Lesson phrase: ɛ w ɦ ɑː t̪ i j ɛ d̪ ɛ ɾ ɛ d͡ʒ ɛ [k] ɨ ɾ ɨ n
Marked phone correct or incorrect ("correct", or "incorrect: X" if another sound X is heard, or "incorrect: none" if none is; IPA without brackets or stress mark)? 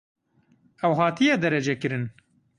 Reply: correct